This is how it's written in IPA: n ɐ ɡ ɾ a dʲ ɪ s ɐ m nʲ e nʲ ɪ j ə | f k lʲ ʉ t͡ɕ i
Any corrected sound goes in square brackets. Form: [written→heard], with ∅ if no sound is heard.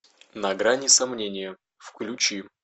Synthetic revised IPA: n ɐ ɡ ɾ a [dʲ→nʲ] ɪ s ɐ m nʲ e nʲ ɪ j ə | f k lʲ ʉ t͡ɕ i